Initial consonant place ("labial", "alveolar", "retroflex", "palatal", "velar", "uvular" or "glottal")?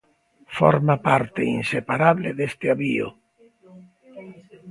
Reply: labial